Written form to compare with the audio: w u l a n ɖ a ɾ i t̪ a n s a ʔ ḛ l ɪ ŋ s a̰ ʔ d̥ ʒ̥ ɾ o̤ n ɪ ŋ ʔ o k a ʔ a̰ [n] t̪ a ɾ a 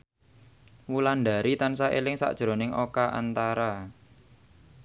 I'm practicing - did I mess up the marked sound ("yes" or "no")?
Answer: no